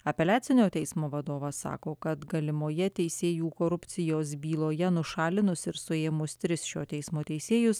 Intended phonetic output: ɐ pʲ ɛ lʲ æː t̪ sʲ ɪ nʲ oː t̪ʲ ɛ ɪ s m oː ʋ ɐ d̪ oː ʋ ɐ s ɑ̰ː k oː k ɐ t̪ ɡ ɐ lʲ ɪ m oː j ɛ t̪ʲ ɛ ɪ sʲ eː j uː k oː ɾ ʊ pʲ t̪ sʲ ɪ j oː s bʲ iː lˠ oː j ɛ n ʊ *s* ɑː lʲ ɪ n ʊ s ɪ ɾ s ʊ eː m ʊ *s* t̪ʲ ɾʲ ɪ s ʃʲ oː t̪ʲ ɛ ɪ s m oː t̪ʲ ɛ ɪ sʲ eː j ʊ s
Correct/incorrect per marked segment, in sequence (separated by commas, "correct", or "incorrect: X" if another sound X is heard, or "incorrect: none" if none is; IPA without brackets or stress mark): incorrect: ʃ, correct